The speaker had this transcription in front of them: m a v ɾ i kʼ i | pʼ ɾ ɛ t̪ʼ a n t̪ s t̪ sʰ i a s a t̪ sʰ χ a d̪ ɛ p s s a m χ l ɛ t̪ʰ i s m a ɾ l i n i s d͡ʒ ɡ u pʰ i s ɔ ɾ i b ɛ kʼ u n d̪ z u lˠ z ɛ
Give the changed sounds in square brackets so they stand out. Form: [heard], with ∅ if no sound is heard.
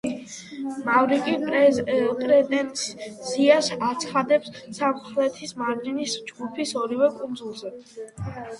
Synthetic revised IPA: m a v ɾ i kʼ i | pʼ ɾ ɛ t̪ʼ [ɛ] n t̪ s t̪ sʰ i a s a t̪ sʰ χ a d̪ ɛ p s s a m χ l ɛ t̪ʰ i s m a ɾ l i n i s d͡ʒ ɡ u pʰ i s ɔ ɾ i [v] ɛ kʼ u n d̪ z u lˠ z ɛ